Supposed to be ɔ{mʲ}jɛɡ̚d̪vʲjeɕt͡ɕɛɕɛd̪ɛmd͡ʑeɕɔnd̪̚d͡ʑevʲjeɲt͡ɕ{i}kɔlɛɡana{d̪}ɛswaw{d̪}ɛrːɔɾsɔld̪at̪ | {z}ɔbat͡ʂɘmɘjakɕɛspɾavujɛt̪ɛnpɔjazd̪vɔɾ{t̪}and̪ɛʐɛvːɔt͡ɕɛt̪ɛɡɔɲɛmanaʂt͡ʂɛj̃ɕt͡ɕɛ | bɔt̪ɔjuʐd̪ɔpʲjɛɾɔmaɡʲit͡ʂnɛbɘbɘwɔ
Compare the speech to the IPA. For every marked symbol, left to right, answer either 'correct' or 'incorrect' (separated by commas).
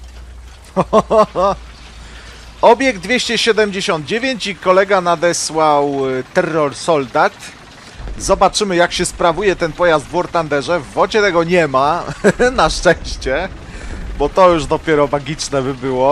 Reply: incorrect, correct, correct, incorrect, correct, correct